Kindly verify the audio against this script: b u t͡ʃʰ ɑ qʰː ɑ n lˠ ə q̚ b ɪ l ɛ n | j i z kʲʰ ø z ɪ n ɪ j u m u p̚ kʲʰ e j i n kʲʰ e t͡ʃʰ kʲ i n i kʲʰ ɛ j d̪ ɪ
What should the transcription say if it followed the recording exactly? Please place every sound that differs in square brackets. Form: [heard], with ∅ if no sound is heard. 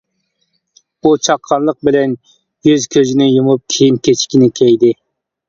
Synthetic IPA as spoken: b u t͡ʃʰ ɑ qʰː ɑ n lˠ ə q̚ b ɪ l ɛ n | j [y] z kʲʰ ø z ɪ n ɪ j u m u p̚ kʲʰ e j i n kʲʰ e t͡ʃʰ kʲ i n [ɪ] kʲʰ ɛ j d̪ ɪ